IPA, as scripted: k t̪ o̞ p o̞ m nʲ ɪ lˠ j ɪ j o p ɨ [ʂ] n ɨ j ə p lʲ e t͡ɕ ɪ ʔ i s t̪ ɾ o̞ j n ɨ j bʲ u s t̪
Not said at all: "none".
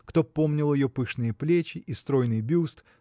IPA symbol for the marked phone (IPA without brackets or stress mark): ʂ